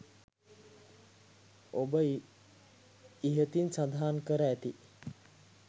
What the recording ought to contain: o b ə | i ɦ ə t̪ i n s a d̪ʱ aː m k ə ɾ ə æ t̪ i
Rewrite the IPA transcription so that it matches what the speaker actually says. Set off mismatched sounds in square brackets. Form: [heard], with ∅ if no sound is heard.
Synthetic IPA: o b ə | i ɦ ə t̪ i n s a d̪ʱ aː [n] k ə ɾ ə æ t̪ i